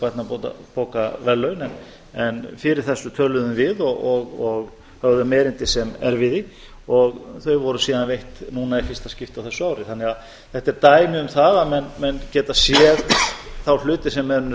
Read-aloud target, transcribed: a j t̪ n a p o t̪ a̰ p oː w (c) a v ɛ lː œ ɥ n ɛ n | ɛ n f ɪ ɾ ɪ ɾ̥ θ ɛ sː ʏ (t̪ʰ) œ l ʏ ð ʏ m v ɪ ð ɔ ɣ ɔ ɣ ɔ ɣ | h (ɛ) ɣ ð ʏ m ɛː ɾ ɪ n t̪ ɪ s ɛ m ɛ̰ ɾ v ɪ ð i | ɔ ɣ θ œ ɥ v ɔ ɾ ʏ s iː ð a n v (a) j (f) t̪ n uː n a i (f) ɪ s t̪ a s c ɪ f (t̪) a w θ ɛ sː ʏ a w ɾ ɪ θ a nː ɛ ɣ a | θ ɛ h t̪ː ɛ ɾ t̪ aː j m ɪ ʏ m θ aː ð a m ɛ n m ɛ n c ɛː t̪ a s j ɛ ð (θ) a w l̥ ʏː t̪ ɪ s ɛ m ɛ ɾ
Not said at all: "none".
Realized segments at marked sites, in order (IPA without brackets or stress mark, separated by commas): k, t̪ʰ, œ, e, h, f, t̪, θ